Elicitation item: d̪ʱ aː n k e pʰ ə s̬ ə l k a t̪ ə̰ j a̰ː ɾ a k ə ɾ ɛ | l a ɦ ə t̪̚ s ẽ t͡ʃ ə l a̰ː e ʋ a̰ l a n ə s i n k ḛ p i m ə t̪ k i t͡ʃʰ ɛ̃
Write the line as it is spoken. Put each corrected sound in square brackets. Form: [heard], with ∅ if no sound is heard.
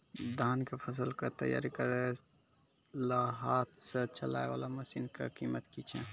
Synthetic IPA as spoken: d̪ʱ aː n k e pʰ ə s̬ ə l k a t̪ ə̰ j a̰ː ɾ [i] k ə ɾ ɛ | l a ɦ [a] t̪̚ s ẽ t͡ʃ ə l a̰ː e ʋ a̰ l a [m] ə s i n k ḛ [k] i m ə t̪ k i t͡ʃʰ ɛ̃

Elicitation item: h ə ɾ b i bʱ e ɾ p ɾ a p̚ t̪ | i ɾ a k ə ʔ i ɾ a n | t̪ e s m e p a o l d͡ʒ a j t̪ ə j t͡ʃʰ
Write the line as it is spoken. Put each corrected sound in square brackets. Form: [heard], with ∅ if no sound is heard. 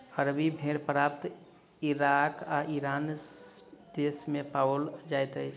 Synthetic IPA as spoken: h ə ɾ b i bʱ e ɾ p ɾ a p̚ t̪ | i ɾ a k [a] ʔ i ɾ a n | [d̪] e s m e p a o l d͡ʒ a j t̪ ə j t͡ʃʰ

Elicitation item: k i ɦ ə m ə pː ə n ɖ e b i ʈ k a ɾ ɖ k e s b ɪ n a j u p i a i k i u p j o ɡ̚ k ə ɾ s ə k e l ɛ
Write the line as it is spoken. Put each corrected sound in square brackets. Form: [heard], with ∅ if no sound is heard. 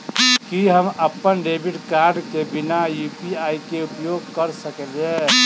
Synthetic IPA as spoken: k i ɦ ə m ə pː ə n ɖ e b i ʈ k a ɾ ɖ k e [∅] b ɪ n a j u p i a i k [e] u p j o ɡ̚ k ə ɾ s ə k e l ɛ

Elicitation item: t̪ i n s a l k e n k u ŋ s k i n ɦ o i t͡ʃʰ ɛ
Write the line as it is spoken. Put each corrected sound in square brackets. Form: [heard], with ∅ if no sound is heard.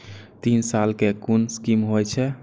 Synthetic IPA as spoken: t̪ i n s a l k e [∅] k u [n] s k i [m] ɦ o [j] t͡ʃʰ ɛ

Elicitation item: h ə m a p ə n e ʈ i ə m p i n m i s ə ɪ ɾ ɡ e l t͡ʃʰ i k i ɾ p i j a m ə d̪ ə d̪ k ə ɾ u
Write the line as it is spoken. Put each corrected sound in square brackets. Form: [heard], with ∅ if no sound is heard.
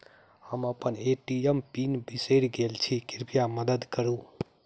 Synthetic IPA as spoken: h ə m [ə] p ə n e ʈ i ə m p i n [b] i s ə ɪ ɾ ɡ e l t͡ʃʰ i k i ɾ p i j a m ə d̪ ə d̪ k ə ɾ u

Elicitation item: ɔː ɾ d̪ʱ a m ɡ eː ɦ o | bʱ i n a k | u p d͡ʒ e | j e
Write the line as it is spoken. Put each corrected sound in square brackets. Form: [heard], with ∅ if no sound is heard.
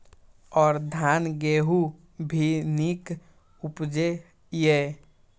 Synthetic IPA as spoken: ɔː ɾ d̪ʱ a [n] ɡ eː ɦ [u] | bʱ i n [i] k | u p d͡ʒ e | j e

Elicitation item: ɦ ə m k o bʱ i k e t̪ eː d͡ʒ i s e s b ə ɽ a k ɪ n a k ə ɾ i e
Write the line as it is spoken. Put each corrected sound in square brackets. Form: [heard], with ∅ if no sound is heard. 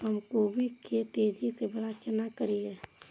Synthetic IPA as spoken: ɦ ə m k o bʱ i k e t̪ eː d͡ʒ i s e [∅] b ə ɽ a k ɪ n a k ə ɾ i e

